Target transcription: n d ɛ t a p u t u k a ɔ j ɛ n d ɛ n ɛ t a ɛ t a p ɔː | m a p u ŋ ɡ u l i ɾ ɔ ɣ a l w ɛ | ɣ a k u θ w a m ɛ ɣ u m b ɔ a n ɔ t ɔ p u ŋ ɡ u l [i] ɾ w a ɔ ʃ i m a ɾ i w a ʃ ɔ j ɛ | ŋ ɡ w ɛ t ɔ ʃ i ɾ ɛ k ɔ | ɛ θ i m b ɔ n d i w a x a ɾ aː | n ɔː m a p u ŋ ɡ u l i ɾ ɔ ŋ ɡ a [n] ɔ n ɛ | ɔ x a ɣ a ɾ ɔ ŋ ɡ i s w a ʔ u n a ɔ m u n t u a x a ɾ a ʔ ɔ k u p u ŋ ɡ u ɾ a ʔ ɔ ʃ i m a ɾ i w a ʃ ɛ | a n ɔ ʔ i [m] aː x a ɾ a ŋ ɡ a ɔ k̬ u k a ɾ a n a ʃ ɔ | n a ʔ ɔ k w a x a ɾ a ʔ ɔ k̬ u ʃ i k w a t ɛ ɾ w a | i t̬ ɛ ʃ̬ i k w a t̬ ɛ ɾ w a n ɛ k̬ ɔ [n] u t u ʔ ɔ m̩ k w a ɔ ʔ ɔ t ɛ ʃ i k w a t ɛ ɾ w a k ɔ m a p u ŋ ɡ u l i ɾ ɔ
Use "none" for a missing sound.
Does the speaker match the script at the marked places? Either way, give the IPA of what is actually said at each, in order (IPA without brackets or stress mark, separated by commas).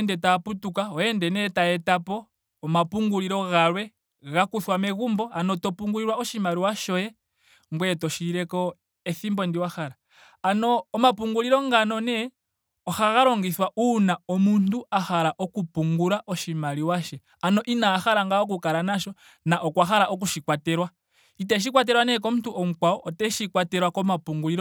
i, n, n, m